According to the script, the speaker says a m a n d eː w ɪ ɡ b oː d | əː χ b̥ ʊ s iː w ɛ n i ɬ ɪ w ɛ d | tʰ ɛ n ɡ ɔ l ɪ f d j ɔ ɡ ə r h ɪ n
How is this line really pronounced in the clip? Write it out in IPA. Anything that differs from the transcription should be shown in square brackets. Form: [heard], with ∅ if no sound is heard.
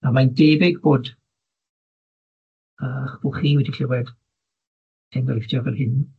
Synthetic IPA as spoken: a m a n d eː [b] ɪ ɡ b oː d | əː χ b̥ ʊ [χ] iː w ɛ [d] i ɬ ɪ w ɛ d | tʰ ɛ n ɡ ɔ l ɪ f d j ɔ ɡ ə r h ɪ n